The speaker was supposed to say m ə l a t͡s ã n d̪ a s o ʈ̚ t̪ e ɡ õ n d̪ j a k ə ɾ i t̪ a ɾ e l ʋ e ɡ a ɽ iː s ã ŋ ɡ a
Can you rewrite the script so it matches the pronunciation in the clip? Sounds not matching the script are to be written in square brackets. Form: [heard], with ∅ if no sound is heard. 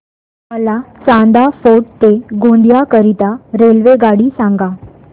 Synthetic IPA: m ə l a t͡s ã n d̪ a [f] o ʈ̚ t̪ e ɡ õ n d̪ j a k ə ɾ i t̪ a ɾ e l ʋ e ɡ a ɽ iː s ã ŋ ɡ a